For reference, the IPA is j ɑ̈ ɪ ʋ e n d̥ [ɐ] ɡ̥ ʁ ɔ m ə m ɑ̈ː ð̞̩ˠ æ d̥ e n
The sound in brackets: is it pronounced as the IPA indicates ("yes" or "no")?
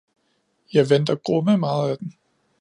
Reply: yes